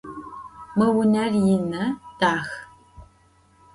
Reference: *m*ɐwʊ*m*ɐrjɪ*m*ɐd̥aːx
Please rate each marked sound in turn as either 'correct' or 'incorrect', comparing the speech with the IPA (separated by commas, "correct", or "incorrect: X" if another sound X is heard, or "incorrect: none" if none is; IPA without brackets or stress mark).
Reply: correct, incorrect: n, incorrect: n